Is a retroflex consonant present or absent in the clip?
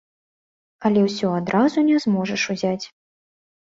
present